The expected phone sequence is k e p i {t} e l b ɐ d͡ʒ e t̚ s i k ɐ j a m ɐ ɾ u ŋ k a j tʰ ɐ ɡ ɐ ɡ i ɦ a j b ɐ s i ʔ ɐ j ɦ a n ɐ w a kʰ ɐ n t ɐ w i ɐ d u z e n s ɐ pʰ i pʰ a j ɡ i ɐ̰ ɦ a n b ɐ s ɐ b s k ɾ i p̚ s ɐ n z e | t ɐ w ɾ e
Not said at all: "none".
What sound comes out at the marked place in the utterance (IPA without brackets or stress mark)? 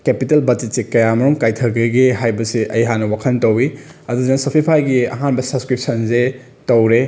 t